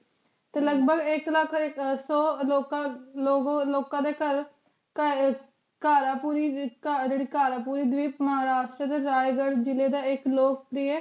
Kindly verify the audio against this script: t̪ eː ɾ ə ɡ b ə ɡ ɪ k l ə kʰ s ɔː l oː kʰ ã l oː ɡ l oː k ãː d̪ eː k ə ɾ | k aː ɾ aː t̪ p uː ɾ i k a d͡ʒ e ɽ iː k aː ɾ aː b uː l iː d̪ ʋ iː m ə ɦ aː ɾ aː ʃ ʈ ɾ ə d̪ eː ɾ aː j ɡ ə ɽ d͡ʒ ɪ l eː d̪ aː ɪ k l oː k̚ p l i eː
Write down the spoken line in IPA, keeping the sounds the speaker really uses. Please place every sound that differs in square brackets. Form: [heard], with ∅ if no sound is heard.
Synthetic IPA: t̪ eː [l] ə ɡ b ə ɡ ɪ k l ə kʰ s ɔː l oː [k] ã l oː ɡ l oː k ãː d̪ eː k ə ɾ | k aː ɾ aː [∅] p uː ɾ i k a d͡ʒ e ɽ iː k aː ɾ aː [p] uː [ɾ] iː d̪ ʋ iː m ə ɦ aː ɾ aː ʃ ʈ ɾ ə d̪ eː ɾ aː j ɡ ə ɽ d͡ʒ ɪ l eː d̪ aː ɪ k l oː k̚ p [ɾ] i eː